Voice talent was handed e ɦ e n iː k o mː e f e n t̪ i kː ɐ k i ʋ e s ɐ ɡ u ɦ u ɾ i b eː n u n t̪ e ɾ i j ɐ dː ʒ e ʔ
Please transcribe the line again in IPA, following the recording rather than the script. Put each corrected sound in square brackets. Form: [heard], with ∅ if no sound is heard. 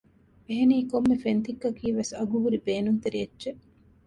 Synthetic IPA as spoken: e ɦ e n iː k o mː e f e n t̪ i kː ɐ k [iː] ʋ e s ɐ ɡ u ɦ u ɾ i b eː n u n t̪ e ɾ i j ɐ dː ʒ e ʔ